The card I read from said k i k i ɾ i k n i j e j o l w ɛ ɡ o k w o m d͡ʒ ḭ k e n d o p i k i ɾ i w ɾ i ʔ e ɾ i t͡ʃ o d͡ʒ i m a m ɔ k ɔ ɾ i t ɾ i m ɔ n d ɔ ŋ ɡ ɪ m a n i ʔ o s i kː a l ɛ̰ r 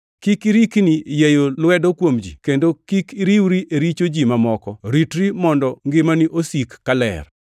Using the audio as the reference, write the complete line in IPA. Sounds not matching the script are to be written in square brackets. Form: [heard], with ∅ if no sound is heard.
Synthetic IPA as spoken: k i k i ɾ i k n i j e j o l w ɛ [d] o k w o m d͡ʒ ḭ k e n d o [k] i k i ɾ i w ɾ i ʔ e ɾ i t͡ʃ o d͡ʒ i m a m ɔ k ɔ ɾ i t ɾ i m ɔ n d ɔ ŋ ɡ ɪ m a n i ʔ o s i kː a l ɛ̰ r